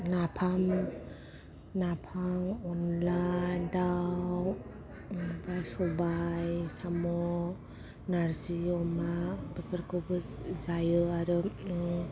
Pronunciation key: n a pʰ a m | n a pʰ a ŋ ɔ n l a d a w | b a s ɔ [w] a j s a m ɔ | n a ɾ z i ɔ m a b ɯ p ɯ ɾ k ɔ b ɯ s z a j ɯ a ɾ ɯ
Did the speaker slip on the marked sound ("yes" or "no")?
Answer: yes